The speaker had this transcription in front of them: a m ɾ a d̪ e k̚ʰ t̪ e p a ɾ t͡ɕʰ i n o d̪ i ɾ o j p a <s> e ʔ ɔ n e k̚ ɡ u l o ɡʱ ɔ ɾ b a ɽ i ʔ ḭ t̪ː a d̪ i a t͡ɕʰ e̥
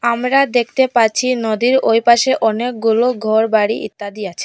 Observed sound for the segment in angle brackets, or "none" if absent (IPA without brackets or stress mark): ʃ